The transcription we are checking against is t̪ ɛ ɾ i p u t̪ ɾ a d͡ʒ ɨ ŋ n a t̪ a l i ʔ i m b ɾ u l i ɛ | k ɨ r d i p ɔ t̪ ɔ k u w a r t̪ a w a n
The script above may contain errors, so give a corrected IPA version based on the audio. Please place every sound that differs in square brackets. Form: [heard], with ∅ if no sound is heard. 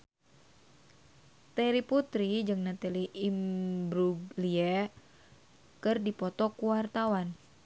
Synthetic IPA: t̪ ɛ ɾ i p u t̪ ɾ [i] d͡ʒ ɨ ŋ n a t̪ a l i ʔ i m b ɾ u l i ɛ | k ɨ r d i p ɔ t̪ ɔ k u w a r t̪ a w a n